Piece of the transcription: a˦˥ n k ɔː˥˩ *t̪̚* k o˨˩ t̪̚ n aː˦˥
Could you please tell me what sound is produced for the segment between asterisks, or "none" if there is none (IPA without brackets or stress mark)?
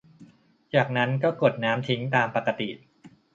none